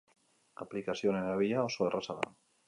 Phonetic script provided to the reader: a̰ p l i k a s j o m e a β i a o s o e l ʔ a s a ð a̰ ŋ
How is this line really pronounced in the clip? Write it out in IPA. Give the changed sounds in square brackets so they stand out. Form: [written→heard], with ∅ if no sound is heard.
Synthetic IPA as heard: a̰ p l i k a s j o [m→n] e a β i a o s o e [l→r] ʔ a s a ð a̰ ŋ